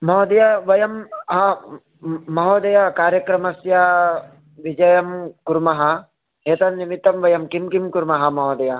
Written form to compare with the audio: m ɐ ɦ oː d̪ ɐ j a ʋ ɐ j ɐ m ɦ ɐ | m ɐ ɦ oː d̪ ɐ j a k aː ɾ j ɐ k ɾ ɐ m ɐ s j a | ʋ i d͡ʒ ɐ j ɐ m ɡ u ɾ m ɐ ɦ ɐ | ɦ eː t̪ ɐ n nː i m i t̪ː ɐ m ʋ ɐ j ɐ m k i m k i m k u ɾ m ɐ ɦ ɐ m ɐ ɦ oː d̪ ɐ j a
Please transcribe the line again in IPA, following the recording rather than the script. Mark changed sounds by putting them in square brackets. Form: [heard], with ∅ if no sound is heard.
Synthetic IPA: m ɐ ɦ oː d̪ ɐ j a ʋ ɐ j ɐ m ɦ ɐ | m ɐ ɦ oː d̪ ɐ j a k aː ɾ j ɐ k ɾ ɐ m ɐ s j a | ʋ i d͡ʒ ɐ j ɐ m [k] u ɾ m ɐ ɦ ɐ | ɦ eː t̪ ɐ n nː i m i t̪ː ɐ m ʋ ɐ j ɐ m k i m k i m k u ɾ m ɐ ɦ ɐ m ɐ ɦ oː d̪ ɐ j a